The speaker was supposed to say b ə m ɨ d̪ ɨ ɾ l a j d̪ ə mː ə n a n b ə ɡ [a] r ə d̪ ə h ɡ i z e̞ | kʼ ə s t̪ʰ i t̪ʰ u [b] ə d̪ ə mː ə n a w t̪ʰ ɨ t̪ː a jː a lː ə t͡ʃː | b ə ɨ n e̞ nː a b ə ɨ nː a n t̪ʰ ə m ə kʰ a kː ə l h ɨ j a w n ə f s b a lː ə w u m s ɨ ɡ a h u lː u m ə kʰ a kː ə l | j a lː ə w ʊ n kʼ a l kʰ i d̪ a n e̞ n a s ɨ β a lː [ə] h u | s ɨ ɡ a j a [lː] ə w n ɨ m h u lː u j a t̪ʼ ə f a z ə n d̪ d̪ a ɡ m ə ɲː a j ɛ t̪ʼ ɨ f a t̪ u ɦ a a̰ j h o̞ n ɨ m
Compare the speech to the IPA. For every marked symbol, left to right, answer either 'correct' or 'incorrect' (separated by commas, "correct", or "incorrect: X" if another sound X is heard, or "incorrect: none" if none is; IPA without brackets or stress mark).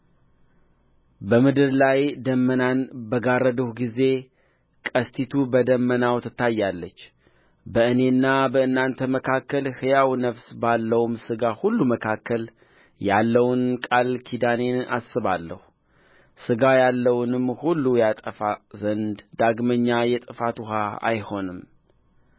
correct, correct, correct, correct